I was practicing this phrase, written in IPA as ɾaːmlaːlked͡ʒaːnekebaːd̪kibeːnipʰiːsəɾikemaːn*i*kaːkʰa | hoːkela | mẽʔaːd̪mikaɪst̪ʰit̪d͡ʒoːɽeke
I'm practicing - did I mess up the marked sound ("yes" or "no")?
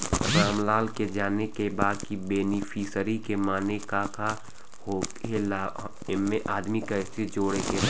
yes